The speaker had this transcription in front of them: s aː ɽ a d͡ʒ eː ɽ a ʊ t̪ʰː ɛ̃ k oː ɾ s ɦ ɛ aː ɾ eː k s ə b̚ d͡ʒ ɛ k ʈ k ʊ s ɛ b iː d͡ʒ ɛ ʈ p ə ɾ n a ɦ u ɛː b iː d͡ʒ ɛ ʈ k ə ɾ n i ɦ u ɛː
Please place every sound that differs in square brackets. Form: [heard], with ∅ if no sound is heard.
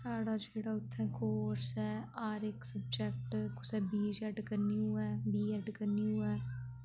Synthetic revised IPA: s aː ɽ a d͡ʒ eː ɽ a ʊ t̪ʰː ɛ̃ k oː ɾ s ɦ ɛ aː ɾ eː k s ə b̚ d͡ʒ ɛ k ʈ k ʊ s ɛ b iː d͡ʒ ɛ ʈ [k] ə ɾ n [i] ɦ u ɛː b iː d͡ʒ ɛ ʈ k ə ɾ n i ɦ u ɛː